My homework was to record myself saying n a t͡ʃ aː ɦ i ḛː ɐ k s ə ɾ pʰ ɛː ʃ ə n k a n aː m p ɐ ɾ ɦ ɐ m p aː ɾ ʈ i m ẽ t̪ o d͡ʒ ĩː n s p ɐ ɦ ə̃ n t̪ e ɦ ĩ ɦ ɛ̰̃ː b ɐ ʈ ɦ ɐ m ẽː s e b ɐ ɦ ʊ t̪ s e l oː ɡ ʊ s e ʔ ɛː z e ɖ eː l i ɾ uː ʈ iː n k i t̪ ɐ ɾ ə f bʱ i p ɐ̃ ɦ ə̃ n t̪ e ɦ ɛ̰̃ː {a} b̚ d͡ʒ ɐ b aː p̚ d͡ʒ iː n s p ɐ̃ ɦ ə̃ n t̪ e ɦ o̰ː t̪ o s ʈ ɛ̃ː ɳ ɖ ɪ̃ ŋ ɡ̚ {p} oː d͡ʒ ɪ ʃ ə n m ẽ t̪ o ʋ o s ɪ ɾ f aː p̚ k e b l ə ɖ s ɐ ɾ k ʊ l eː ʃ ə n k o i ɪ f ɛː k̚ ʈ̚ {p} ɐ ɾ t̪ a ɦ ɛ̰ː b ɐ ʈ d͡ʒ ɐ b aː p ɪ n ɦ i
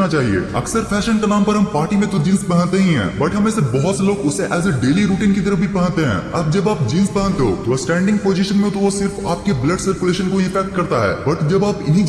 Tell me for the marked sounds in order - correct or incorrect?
incorrect: ɐ, correct, incorrect: k

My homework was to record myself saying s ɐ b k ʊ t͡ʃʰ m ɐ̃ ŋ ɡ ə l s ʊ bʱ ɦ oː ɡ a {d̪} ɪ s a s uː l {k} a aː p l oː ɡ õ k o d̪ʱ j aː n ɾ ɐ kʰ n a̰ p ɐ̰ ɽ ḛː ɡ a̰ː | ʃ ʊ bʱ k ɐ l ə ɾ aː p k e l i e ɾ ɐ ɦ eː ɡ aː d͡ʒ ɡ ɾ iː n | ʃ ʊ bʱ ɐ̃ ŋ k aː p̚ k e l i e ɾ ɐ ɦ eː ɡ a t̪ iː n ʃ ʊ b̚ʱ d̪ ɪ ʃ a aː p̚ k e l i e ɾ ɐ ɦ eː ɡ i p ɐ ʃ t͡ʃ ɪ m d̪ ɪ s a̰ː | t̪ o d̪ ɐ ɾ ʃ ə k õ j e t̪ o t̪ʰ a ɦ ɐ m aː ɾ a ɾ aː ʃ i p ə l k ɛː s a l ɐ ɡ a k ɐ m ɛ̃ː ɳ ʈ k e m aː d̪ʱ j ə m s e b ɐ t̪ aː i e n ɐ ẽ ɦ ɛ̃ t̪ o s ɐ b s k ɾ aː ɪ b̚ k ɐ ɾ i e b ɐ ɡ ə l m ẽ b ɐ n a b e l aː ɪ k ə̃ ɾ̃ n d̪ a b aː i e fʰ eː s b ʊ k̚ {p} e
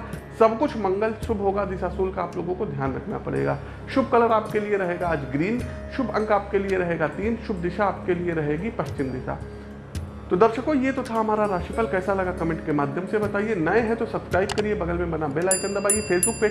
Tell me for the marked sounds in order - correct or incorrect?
correct, correct, correct

